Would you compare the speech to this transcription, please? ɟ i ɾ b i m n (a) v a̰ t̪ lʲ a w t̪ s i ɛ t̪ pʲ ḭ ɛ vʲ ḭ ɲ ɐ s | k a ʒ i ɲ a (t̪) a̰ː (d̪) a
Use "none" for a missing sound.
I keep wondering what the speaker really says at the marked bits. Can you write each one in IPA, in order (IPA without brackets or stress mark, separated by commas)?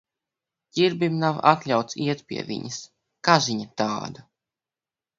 a, t̪, d̪